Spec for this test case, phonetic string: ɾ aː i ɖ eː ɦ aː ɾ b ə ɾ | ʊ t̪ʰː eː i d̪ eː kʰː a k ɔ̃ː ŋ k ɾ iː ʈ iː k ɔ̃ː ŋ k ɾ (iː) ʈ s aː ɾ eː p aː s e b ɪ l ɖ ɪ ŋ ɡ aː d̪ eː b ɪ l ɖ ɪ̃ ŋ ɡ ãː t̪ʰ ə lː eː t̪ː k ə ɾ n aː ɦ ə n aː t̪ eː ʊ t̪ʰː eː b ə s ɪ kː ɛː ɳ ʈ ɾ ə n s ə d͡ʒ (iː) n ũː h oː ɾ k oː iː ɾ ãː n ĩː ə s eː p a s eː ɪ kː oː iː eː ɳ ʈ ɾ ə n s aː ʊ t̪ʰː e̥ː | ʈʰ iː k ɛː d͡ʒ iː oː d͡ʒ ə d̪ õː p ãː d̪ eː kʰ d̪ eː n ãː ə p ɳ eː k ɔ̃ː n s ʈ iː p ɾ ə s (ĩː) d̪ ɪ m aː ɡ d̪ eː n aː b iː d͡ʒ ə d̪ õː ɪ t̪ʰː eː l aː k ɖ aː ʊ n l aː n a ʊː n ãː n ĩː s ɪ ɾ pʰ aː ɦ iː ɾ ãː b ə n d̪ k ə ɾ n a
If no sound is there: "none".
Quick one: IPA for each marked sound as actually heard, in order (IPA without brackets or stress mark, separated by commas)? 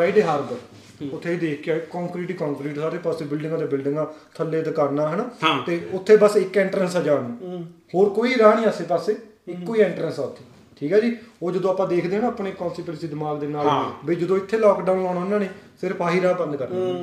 iː, aː, iː